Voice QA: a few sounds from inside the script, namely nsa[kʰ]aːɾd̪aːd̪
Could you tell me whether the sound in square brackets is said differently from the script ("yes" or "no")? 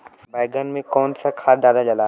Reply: no